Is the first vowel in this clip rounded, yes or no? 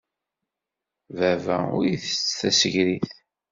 no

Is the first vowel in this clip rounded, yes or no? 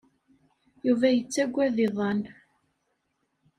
yes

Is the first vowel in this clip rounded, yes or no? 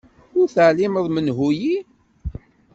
yes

